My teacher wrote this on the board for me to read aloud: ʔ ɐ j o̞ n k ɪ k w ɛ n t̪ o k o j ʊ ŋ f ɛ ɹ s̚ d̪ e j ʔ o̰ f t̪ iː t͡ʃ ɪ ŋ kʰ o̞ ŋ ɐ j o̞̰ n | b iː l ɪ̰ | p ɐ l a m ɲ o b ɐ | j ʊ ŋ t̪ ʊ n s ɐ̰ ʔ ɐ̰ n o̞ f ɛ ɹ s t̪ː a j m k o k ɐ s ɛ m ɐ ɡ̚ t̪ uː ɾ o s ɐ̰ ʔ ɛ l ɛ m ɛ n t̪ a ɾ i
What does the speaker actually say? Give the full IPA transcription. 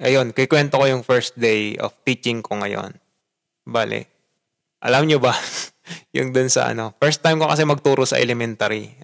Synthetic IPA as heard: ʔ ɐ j o̞ n k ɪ k w ɛ n t̪ o k o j ʊ ŋ f ɛ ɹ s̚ d̪ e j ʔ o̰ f t̪ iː t͡ʃ ɪ ŋ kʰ o̞ ŋ ɐ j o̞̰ n | b aː l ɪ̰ | ʔ ɐ l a m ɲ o b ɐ | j ʊ ŋ d̪ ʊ n s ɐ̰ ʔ ɐ̰ n o̞ f ɛ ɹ s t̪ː a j m k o k ɐ s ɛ m ɐ ɡ̚ t̪ uː ɾ o s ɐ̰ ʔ ɛ l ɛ m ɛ n t̪ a ɾ i